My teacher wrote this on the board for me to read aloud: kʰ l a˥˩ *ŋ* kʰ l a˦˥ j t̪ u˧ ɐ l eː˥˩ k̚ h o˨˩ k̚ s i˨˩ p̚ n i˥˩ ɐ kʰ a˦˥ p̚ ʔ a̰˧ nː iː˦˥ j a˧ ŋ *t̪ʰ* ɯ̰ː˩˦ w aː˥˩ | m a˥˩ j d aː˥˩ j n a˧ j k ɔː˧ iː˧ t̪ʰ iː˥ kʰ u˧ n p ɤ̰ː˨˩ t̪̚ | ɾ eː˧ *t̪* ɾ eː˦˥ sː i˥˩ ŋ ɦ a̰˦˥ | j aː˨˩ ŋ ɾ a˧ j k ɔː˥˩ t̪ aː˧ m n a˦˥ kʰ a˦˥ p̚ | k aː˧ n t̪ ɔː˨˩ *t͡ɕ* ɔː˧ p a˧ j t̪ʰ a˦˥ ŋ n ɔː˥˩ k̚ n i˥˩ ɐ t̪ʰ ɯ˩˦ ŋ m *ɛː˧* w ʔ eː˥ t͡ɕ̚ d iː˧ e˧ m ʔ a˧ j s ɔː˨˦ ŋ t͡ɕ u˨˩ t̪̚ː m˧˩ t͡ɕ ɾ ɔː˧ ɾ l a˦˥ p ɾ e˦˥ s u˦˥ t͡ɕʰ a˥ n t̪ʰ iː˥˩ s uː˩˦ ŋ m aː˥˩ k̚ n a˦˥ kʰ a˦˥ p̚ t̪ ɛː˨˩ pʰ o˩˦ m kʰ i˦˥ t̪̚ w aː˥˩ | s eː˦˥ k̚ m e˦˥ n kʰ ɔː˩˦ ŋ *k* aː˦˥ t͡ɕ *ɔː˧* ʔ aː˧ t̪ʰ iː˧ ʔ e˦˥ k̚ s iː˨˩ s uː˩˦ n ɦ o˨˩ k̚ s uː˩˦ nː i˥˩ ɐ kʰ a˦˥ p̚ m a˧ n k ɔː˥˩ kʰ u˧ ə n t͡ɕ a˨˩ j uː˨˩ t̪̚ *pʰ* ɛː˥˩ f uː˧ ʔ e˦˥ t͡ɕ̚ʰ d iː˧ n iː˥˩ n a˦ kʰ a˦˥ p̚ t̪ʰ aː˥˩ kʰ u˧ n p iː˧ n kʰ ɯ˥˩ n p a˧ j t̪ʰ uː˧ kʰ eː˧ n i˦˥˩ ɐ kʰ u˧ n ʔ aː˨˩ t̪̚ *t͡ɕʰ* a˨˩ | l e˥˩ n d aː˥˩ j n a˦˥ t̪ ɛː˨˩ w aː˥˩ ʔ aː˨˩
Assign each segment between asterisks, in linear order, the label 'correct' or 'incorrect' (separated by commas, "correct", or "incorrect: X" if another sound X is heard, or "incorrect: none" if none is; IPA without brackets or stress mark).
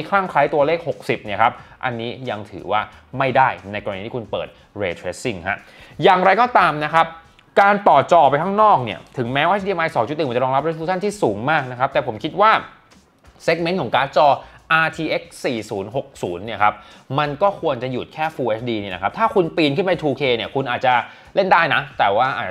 correct, correct, incorrect: t̪ʰ, correct, incorrect: ɛː˦˥, correct, correct, incorrect: kʰ, incorrect: t͡ɕ